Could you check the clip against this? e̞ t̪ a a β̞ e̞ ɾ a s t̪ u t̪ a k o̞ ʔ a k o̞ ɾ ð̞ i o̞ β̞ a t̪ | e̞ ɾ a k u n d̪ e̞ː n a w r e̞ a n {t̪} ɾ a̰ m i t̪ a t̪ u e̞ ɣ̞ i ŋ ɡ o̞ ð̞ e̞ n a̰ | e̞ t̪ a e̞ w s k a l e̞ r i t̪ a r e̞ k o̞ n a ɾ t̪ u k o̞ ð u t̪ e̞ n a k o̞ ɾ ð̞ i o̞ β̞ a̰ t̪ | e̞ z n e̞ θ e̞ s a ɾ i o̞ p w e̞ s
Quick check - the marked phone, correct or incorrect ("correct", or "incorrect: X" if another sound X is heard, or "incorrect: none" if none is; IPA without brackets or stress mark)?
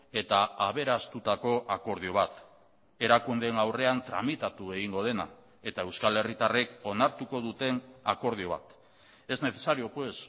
correct